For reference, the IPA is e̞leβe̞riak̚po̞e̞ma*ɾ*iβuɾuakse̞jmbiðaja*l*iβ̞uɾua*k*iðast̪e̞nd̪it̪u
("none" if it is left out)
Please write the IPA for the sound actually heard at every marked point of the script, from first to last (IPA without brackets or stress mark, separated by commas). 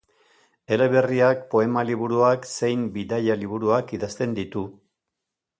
l, l, k